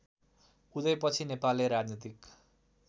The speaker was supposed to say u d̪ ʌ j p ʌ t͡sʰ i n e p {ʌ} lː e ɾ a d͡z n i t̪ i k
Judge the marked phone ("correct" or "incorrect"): incorrect